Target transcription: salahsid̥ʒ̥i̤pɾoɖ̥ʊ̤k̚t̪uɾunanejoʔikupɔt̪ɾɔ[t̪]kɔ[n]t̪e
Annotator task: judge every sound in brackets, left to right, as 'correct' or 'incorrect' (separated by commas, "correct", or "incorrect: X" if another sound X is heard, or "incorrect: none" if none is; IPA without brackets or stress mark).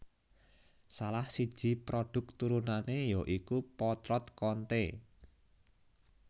correct, correct